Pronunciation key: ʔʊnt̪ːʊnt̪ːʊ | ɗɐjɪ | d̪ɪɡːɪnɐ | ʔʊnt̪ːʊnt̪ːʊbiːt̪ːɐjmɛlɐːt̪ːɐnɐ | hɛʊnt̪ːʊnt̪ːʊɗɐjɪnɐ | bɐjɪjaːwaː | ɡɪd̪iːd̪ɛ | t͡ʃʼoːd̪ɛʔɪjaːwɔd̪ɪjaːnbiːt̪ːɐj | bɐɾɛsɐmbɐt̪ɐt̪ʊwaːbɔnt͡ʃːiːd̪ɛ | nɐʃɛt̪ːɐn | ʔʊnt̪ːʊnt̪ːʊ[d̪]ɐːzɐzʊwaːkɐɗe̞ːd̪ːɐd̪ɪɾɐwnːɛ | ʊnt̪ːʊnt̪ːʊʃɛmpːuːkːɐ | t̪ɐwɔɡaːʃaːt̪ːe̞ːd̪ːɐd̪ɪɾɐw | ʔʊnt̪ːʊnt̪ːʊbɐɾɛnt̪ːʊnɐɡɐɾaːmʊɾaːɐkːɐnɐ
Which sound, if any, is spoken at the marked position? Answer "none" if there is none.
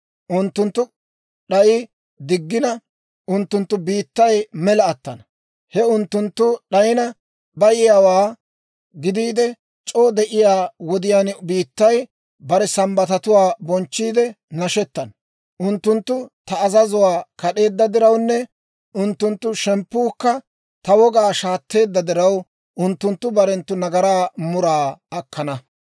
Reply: t̪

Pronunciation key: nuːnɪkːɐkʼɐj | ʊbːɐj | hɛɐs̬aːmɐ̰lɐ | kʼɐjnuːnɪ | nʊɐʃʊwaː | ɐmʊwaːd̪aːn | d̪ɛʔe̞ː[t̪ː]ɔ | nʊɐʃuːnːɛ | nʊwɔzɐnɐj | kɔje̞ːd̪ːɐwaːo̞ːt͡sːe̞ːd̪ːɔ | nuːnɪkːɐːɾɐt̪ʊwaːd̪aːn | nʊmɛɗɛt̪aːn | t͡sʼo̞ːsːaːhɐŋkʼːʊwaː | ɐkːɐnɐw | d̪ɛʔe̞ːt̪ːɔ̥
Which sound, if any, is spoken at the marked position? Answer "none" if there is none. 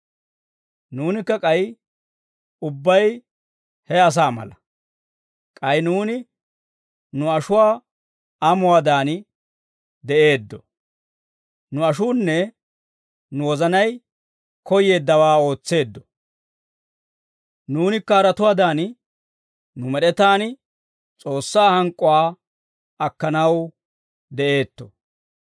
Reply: d̪ː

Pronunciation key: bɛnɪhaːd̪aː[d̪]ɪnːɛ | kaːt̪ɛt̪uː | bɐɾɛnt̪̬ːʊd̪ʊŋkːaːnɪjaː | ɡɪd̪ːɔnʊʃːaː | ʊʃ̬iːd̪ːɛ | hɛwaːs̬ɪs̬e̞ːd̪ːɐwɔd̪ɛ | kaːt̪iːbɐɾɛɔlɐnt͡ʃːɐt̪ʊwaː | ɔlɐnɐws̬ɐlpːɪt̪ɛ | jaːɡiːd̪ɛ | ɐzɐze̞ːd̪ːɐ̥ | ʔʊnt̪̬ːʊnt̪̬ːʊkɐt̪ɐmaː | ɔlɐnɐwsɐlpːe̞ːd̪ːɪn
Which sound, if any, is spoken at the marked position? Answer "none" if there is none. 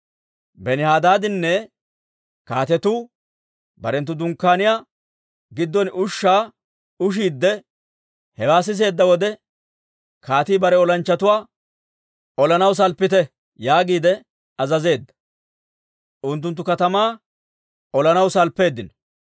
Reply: d̪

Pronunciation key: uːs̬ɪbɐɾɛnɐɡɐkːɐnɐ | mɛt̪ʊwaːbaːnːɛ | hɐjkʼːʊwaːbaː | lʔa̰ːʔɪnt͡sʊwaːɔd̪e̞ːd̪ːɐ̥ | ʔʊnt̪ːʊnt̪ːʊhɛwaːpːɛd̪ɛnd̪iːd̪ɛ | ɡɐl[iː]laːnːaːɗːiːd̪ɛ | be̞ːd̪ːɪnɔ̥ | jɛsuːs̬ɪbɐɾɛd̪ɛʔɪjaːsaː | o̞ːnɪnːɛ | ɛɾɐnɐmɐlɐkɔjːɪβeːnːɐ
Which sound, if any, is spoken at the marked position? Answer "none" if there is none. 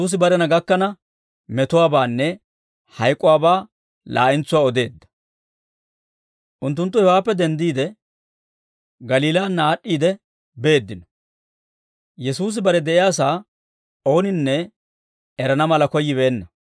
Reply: iː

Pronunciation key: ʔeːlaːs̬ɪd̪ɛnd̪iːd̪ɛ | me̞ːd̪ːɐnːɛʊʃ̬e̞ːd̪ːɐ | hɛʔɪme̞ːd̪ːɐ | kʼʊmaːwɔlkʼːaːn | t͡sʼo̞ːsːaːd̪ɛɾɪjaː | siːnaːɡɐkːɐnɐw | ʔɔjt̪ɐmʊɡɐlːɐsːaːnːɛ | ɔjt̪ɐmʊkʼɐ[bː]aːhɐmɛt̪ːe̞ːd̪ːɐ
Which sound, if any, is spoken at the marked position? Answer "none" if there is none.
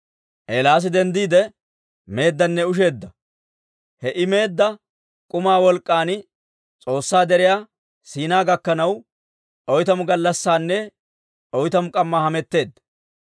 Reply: mː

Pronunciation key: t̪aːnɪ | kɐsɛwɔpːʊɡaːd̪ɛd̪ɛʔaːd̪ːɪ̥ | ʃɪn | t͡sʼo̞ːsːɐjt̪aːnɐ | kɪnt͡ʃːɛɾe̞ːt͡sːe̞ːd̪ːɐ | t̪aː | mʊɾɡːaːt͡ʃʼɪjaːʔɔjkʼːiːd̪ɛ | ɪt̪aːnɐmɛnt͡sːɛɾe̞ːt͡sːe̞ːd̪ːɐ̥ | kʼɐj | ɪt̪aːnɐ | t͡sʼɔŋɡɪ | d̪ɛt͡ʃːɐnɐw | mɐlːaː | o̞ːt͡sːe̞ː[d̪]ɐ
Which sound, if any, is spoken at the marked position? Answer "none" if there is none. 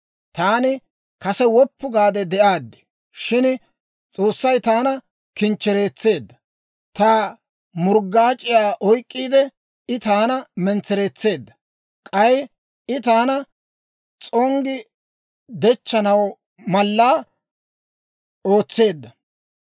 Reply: d̪ː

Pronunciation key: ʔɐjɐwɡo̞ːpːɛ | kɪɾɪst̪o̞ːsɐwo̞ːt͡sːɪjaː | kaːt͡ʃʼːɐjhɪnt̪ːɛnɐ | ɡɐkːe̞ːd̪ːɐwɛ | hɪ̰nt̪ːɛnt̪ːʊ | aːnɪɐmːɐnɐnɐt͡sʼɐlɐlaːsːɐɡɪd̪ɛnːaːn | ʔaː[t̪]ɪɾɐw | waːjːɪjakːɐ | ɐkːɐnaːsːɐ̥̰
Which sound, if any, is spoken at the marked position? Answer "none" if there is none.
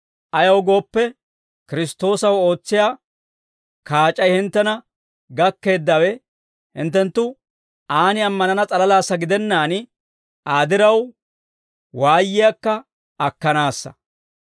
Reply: d̪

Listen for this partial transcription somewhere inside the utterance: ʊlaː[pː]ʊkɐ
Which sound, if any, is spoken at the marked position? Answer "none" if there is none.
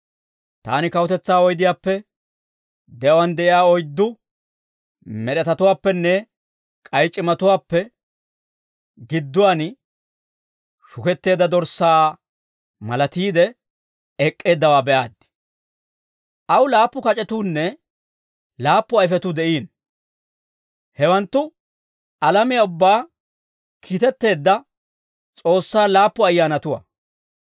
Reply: pː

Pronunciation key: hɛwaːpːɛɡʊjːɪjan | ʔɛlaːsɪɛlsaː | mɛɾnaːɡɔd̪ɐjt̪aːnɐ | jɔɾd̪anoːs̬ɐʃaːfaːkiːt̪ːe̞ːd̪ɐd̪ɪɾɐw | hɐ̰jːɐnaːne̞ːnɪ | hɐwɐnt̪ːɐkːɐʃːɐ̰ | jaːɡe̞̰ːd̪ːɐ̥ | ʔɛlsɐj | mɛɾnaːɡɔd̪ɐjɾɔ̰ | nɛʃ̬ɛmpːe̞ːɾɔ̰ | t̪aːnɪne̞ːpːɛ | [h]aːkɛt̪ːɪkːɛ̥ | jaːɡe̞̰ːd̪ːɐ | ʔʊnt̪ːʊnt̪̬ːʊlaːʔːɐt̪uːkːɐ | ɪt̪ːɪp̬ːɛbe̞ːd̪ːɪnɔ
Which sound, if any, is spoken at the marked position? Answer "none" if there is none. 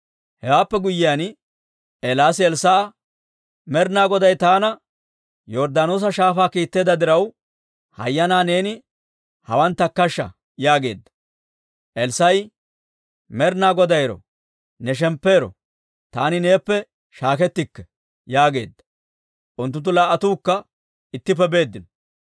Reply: ʃ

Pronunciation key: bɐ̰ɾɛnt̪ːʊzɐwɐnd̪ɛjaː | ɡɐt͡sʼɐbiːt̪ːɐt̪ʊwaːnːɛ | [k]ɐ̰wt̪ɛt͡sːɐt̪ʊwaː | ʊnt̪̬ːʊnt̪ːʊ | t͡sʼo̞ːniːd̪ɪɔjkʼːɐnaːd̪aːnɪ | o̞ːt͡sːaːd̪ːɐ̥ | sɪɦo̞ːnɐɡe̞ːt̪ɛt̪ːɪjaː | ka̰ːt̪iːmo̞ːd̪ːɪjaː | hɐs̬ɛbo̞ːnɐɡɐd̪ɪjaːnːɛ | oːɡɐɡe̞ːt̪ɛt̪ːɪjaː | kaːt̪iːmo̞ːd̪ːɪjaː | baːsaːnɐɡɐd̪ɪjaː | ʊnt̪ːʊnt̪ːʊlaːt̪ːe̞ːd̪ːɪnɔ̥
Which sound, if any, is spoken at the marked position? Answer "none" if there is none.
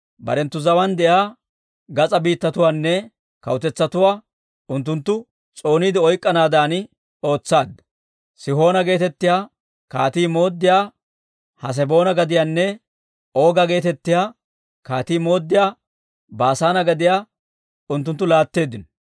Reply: k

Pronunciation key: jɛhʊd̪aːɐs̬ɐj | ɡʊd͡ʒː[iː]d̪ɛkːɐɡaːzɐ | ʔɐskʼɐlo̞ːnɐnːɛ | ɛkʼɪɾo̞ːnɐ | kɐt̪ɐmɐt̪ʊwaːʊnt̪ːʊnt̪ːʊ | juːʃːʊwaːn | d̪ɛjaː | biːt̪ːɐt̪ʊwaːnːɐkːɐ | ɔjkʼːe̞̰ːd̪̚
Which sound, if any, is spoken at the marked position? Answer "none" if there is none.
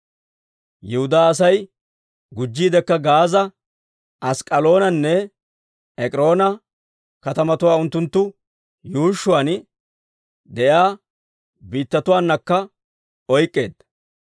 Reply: iː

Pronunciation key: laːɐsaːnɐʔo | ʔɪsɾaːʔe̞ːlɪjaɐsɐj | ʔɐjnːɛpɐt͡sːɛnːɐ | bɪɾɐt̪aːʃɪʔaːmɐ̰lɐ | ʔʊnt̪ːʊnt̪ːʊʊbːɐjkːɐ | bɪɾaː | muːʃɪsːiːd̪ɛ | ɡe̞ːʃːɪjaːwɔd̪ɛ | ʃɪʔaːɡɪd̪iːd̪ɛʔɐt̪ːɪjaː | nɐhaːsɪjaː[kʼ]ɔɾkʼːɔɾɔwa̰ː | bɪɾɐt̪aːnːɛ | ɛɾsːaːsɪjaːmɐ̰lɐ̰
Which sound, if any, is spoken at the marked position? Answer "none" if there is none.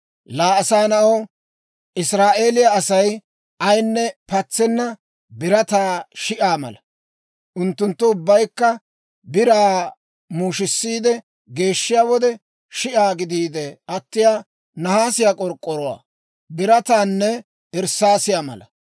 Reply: kʼ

